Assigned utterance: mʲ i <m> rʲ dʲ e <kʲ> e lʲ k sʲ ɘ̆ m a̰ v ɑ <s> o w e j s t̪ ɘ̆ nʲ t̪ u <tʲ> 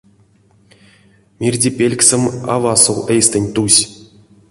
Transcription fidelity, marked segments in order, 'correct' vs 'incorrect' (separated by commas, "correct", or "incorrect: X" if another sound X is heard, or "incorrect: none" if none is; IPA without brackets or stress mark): incorrect: none, incorrect: pʲ, correct, incorrect: sʲ